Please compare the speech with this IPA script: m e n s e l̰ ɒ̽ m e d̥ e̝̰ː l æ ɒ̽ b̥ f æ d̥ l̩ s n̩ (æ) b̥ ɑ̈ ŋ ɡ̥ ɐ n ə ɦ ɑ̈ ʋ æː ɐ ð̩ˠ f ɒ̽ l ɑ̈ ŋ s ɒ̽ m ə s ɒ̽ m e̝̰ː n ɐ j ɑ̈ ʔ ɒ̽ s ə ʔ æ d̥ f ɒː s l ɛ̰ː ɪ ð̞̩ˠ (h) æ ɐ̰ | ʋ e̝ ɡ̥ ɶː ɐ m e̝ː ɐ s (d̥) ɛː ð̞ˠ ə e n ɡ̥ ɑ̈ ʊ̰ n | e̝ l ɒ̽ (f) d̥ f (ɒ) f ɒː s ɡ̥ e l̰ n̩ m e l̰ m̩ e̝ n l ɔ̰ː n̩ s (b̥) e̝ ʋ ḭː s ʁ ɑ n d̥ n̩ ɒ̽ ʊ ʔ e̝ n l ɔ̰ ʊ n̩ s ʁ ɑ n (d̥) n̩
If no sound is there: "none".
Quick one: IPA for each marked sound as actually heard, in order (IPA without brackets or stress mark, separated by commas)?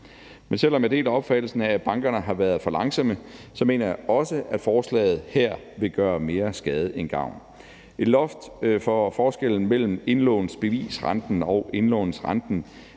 æ, h, ɡ̥, f, ɒ, b̥, d̥